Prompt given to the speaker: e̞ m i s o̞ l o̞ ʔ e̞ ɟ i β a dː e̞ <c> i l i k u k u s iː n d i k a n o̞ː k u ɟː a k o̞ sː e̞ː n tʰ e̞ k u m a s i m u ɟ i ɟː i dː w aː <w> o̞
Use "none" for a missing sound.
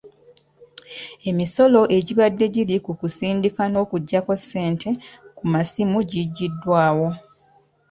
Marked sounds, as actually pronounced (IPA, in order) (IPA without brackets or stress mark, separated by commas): ɟ, w